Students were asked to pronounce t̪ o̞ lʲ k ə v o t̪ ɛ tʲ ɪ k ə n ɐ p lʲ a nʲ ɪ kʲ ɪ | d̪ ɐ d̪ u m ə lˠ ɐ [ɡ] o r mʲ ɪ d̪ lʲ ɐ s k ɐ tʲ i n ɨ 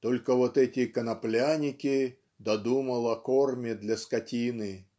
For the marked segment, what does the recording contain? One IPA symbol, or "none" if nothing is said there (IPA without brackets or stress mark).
k